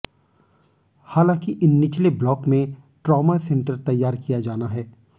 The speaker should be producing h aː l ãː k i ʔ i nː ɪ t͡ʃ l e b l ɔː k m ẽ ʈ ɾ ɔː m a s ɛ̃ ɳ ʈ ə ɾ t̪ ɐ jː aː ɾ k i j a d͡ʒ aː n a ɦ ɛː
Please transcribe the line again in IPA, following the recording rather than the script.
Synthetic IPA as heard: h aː l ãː k i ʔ ɪ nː ɪ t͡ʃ l e b l ɔː k m ẽ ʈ ɾ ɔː m a s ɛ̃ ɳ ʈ ə ɾ t̪ ɐ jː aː ɾ k i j a d͡ʒ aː n a ɦ ɛː